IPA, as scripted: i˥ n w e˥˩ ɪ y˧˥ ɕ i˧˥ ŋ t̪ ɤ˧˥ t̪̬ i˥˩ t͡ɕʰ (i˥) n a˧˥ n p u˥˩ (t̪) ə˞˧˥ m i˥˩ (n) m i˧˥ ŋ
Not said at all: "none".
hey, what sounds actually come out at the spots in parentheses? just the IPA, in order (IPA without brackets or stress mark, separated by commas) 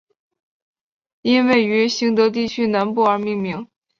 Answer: y˥, none, ŋ